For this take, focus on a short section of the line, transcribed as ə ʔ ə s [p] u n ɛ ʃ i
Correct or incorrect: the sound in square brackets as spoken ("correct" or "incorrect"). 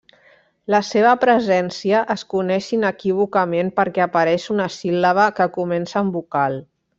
incorrect